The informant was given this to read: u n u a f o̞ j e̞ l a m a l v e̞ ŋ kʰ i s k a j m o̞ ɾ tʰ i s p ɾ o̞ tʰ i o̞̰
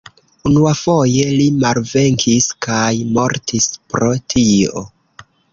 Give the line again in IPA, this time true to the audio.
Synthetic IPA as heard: u n u a f o̞ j e̞ l i m a l v e̞ ŋ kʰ i s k a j m o̞ ɾ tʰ i s p ɾ o̞ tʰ i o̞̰